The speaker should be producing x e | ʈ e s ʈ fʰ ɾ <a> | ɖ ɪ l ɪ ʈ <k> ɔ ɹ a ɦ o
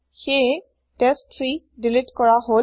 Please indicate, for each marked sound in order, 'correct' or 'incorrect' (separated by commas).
incorrect, correct